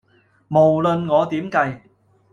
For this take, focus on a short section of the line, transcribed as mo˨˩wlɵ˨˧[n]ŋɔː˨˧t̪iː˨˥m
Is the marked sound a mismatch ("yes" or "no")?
no